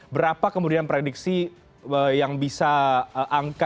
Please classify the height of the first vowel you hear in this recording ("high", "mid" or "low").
mid